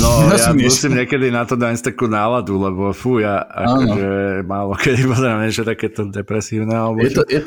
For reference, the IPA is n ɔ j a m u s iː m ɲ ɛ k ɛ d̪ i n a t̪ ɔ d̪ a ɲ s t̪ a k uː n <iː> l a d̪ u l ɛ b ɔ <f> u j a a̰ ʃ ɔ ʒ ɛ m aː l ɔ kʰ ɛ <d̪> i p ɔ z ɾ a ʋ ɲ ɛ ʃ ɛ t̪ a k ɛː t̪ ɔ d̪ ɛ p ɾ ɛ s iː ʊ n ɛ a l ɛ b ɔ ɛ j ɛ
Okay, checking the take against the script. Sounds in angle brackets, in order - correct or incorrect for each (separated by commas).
incorrect, correct, correct